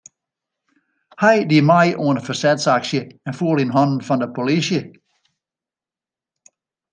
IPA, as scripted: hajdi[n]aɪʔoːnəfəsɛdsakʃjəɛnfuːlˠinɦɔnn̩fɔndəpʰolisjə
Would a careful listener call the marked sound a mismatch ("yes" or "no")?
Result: yes